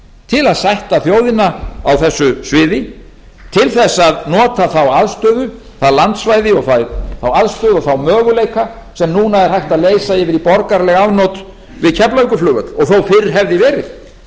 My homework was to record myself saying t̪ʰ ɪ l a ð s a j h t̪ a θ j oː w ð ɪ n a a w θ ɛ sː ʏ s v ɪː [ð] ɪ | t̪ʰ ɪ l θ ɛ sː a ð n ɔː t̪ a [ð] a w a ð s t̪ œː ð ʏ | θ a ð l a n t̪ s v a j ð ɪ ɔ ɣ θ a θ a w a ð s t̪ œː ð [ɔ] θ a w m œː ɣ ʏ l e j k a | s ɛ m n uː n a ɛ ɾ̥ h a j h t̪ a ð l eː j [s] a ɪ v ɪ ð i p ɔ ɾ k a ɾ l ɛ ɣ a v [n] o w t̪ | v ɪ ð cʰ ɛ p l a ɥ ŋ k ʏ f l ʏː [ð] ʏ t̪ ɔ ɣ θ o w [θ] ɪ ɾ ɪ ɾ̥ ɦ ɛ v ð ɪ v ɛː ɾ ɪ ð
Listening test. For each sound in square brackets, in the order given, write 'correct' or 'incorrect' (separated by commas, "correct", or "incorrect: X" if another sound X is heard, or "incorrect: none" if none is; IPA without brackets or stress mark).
correct, incorrect: θ, correct, correct, correct, incorrect: ɣ, incorrect: f